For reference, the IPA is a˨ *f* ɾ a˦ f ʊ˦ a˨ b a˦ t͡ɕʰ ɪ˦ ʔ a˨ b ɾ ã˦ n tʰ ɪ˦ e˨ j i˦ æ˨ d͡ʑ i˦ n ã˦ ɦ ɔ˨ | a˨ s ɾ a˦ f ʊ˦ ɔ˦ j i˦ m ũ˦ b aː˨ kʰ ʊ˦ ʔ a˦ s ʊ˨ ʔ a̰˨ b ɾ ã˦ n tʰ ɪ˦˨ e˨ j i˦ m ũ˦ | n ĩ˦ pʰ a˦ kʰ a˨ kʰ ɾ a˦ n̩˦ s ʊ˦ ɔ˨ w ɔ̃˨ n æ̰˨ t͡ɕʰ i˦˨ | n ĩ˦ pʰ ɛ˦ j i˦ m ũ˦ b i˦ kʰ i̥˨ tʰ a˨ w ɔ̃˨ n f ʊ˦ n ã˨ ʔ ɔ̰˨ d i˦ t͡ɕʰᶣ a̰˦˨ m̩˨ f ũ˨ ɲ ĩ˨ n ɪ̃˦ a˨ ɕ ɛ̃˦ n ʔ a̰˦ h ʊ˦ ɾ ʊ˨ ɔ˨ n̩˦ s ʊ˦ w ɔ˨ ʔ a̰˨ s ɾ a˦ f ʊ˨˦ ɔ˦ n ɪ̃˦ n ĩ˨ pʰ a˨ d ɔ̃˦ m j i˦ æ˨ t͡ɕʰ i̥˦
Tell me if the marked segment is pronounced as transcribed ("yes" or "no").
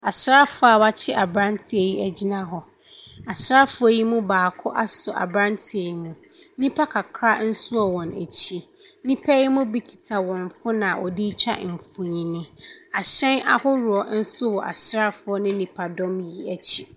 no